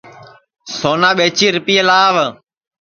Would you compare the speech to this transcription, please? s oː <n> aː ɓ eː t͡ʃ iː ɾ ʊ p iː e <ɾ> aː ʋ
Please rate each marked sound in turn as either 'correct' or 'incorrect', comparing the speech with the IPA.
correct, incorrect

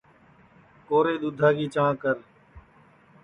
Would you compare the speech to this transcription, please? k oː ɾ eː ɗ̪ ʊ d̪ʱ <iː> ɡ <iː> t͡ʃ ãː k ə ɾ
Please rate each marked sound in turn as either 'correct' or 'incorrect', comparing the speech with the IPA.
incorrect, correct

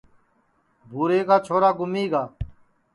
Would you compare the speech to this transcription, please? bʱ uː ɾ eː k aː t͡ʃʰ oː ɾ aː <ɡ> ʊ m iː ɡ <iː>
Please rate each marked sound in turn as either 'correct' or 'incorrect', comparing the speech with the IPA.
correct, incorrect

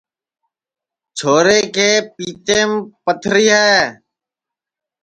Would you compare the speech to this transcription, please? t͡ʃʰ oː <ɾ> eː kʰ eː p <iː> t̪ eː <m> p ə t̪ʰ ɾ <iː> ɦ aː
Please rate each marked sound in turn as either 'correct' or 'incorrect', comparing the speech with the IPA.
correct, correct, correct, correct

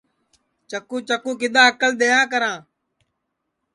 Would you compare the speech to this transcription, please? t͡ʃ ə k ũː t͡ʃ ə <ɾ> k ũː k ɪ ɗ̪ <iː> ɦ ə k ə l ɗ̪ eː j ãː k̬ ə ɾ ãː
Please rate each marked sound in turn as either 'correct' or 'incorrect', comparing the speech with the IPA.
incorrect, incorrect

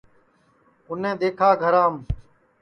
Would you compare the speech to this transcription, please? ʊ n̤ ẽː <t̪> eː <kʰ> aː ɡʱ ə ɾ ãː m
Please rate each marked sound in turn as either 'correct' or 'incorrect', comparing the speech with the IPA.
incorrect, correct

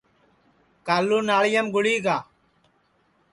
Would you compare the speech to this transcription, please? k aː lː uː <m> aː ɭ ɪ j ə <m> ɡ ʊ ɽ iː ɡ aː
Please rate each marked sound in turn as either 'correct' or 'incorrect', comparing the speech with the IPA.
incorrect, correct

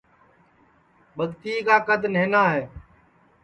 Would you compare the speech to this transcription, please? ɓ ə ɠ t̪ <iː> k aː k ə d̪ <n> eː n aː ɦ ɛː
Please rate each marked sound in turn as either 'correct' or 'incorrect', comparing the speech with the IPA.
correct, correct

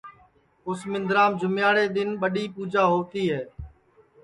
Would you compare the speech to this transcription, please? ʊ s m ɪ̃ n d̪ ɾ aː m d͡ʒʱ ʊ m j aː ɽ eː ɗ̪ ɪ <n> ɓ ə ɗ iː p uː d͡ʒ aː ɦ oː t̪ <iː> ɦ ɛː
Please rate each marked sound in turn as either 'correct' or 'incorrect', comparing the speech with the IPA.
correct, correct

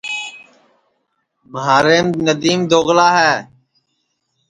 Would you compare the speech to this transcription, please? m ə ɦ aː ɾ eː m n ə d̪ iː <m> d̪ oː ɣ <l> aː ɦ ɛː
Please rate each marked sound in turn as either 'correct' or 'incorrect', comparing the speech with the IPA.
correct, correct

